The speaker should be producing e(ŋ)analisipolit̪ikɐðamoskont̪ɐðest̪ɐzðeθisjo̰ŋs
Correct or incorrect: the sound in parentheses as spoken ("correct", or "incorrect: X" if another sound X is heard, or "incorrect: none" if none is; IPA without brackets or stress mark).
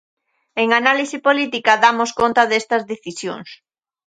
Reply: correct